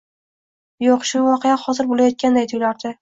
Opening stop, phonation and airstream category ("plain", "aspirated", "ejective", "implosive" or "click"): plain